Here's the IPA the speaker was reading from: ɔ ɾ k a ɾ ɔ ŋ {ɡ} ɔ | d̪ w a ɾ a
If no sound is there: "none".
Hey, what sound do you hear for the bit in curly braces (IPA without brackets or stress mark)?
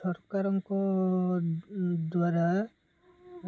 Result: k